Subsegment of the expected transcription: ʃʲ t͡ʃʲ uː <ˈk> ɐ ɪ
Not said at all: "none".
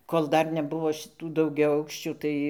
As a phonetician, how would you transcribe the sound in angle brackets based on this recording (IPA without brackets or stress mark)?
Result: t